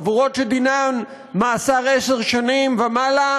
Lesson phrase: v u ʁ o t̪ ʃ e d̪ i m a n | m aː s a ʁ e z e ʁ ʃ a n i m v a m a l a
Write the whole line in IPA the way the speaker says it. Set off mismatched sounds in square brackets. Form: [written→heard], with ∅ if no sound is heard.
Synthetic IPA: v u ʁ o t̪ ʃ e d̪ i [m→n] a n | m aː s a ʁ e [z→s] e ʁ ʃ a n i m v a m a l a